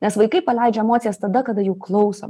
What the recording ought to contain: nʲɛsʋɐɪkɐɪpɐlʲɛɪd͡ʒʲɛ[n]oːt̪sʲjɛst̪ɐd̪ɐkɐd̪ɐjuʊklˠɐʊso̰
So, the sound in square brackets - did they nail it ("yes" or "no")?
no